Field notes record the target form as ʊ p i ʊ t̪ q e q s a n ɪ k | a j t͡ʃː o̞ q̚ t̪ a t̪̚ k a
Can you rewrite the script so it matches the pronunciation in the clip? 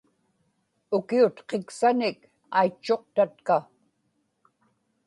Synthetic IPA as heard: ʊ k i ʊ t̪ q e k s a n ɪ k | a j t͡ʃː o̞ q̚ t̪ a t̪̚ k a